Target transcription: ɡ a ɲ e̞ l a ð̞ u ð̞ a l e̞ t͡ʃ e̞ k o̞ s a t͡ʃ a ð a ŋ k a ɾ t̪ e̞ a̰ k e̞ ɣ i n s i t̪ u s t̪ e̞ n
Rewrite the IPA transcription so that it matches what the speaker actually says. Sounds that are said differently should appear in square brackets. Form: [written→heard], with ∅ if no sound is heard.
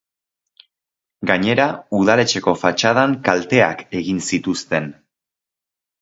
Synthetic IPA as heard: ɡ a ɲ e̞ [l→ɾ] a [ð̞→∅] u ð̞ a l e̞ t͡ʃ e̞ k o̞ [s→f] a t͡ʃ a ð a ŋ k a [ɾ→l] t̪ e̞ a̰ k e̞ ɣ i n s i t̪ u s t̪ e̞ n